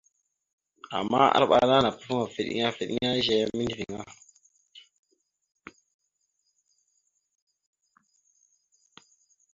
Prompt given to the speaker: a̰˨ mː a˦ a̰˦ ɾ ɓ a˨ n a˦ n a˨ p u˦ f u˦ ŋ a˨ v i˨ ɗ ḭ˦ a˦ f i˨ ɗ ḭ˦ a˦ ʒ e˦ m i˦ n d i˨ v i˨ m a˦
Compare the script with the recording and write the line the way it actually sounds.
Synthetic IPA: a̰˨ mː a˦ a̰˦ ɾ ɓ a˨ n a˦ n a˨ p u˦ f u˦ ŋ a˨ f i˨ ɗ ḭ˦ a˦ f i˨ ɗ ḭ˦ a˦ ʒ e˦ m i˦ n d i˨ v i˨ ŋ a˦

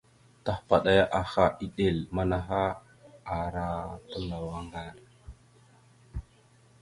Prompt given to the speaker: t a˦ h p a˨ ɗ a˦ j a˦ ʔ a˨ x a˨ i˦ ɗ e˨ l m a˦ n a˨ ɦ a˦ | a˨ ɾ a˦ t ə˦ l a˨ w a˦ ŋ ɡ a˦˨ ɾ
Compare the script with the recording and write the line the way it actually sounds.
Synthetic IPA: t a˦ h p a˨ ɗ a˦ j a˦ ʔ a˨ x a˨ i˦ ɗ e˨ l m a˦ n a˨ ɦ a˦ | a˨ ɾ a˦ t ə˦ l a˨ w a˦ ŋ ɡ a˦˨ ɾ

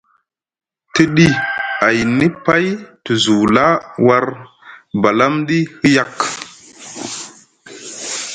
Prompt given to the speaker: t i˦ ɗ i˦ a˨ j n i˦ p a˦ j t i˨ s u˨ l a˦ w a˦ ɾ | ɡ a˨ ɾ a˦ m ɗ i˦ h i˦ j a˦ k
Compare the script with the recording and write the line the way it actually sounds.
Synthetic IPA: t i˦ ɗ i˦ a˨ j n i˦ p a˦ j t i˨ z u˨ l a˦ w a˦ ɾ | b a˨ l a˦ m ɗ i˦ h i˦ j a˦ k

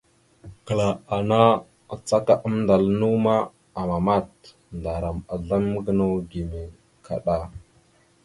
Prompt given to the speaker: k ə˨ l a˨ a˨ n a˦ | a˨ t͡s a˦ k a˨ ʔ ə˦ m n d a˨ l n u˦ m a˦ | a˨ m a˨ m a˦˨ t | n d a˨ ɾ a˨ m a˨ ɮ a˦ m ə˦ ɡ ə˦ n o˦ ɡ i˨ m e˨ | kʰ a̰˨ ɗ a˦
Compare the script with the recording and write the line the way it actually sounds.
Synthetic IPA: k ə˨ l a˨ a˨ n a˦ | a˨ t͡s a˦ k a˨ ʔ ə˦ m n d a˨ l n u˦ m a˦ | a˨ m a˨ m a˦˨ t | n d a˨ ɾ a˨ m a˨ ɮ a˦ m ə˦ ɡ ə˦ n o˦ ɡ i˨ m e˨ | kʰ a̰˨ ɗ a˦

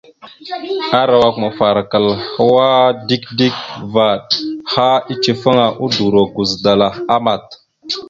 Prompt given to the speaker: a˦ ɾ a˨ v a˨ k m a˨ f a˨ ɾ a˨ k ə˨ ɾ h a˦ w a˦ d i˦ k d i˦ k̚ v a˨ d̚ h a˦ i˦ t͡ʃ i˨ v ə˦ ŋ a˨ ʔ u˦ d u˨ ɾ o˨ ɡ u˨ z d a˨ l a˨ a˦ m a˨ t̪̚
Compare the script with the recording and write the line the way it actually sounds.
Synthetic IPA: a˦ ɾ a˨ w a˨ k m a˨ f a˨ ɾ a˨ k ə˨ l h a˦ w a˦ d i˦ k d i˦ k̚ v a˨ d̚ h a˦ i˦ t͡ʃ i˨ f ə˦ ŋ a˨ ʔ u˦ d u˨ ɾ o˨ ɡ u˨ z d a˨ l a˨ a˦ m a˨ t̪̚

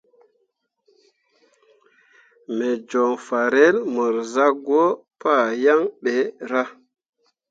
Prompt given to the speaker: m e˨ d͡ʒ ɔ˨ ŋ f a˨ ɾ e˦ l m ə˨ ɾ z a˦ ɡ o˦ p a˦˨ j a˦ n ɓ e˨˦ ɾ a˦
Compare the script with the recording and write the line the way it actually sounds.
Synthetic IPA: m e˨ d͡ʒ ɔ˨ ŋ f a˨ ɾ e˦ l m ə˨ ɾ z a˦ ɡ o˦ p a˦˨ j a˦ ŋ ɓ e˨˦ ɾ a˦

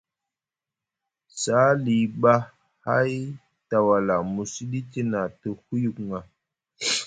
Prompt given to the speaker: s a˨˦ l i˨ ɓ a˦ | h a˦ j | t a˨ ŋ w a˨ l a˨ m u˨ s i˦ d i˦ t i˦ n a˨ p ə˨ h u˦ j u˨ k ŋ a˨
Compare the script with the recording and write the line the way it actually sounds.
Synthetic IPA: s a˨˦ l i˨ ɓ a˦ | h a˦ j | t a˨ w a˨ l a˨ m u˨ s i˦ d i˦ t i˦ n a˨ t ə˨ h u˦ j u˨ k ŋ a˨

